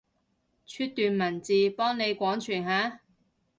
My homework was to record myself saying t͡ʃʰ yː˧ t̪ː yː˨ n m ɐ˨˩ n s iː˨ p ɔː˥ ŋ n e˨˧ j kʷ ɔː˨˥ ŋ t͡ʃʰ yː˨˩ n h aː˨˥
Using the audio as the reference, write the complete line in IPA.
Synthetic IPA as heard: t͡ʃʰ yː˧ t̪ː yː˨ n m ɐ˨˩ n t͡s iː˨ p ɔː˥ ŋ n e˨˧ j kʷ ɔː˨˥ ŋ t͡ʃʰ yː˨˩ n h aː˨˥

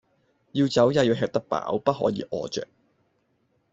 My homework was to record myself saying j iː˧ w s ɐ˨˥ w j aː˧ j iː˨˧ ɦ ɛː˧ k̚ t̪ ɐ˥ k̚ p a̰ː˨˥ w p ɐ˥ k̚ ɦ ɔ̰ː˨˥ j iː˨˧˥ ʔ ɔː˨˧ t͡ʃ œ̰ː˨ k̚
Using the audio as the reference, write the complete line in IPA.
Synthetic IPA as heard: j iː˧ w t͡s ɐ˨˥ w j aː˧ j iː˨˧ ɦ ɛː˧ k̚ t̪ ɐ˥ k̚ p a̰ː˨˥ w p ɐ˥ t̚ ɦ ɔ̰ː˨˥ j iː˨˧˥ ʔ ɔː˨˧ t͡ʃ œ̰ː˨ k̚

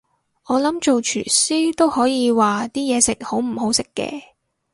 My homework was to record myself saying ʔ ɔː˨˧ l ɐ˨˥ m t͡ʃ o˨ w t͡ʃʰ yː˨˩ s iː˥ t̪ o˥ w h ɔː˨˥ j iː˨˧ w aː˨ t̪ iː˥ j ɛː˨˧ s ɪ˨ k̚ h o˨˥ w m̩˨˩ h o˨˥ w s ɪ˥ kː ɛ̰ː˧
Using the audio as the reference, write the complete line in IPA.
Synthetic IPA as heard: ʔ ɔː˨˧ l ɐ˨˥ m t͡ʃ o˨ w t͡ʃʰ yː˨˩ s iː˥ t̪ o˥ w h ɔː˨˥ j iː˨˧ w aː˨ t̪ iː˥ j ɛː˨˧ s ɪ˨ k̚ h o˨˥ w m̩˨˩ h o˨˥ w s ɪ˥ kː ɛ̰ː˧

